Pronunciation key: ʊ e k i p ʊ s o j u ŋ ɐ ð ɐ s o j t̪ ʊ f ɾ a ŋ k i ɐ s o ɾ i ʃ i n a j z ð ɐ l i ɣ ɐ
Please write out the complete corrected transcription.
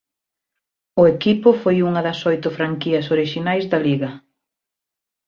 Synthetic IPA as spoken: ʊ e k i p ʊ f o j u ŋ ɐ ð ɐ s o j t̪ ʊ f ɾ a ŋ k i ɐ s o ɾ i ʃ i n a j z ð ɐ l i ɣ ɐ